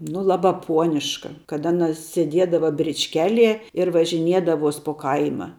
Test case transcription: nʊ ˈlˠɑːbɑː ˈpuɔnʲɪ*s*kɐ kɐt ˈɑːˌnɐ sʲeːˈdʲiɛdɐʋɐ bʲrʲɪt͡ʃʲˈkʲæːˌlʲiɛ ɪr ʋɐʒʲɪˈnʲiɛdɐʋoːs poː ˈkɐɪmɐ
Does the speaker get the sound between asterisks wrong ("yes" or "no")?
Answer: yes